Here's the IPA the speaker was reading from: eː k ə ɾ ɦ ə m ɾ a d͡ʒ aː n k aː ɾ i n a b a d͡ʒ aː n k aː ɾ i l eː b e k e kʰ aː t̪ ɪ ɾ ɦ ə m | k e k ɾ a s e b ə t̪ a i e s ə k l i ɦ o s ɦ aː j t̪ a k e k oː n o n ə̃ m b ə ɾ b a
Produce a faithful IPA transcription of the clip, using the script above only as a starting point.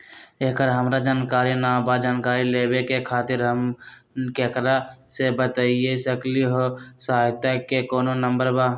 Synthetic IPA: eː k ə ɾ ɦ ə m ɾ a d͡ʒ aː n k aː ɾ i n a b a d͡ʒ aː n k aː ɾ i l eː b e k e kʰ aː t̪ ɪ ɾ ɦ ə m | k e k ɾ a s e b ə t̪ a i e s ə k l i ɦ o s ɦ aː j t̪ a k e k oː n o n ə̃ m b ə ɾ b a